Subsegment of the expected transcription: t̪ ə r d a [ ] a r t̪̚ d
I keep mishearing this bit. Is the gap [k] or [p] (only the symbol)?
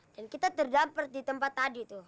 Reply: p